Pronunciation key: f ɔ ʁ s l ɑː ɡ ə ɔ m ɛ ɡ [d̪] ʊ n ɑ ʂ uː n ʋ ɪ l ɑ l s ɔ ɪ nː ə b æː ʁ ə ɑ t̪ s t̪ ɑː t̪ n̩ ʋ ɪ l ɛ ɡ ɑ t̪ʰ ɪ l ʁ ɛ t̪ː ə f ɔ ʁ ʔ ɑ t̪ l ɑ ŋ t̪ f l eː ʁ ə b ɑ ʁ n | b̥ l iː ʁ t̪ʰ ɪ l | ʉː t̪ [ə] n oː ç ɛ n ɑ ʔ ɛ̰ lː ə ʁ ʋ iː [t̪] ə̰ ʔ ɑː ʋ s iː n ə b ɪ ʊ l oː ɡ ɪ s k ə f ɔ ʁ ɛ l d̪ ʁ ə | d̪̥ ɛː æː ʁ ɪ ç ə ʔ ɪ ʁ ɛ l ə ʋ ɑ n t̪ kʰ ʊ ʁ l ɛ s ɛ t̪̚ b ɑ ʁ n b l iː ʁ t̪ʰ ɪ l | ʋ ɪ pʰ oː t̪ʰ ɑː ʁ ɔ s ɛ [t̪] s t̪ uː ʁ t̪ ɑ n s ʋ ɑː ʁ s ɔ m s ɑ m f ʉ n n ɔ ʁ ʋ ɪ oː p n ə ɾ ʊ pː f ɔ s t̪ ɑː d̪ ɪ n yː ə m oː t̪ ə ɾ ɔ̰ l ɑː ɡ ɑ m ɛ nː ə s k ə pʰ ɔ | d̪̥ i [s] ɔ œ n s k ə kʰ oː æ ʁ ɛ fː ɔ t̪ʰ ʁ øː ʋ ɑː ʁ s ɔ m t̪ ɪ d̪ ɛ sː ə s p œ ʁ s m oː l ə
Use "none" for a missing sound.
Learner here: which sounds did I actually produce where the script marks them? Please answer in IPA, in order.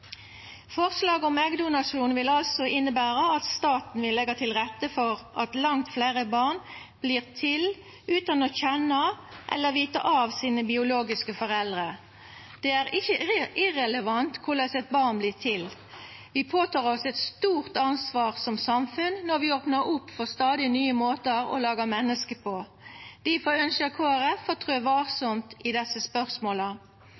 d̪, ɑ, t̪, t̪, f

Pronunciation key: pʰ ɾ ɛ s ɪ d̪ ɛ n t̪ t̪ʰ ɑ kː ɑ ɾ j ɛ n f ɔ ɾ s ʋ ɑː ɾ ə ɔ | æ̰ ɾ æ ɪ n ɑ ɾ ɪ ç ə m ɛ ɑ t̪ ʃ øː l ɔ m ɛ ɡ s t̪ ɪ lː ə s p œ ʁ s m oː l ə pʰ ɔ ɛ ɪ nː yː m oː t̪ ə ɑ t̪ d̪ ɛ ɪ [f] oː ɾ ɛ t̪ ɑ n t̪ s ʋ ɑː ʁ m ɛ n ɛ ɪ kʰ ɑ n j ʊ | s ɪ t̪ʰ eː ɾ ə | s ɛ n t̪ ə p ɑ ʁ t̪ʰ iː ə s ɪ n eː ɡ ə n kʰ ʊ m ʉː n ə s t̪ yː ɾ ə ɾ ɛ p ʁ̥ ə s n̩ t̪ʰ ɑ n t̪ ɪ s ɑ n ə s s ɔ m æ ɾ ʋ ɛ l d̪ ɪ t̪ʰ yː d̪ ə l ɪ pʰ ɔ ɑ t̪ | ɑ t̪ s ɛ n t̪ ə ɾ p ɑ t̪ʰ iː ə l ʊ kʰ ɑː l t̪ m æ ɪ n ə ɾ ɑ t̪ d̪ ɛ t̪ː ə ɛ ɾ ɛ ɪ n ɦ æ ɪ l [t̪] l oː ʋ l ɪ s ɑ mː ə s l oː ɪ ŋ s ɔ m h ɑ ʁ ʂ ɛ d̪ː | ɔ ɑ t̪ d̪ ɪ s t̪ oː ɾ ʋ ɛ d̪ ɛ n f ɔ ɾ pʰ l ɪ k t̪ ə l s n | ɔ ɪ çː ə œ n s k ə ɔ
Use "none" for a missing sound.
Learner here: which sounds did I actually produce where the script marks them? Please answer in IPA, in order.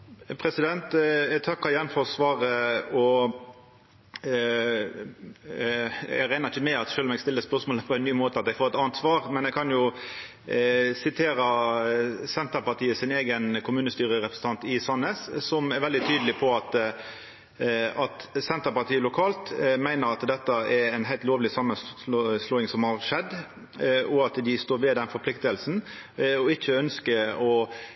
f, t̪

